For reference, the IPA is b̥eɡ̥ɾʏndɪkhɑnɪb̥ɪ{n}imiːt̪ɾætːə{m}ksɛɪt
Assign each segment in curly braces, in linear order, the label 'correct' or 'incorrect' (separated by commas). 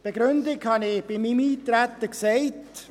incorrect, incorrect